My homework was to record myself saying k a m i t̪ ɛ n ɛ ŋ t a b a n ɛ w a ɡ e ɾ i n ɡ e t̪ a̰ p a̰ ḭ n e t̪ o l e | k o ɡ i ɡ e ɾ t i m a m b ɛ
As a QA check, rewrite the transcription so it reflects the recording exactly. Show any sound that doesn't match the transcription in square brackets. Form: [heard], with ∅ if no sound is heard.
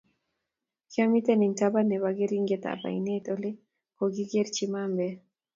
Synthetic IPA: k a m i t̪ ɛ n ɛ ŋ t a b a n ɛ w a ɡ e ɾ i [ŋ] ɡ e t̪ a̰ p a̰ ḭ n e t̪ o l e | k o ɡ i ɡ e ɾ [t͡ʃ] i m a m b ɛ